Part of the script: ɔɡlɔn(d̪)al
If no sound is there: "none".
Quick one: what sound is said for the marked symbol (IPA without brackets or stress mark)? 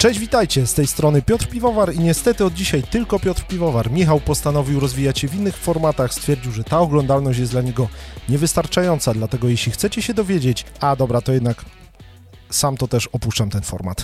d̪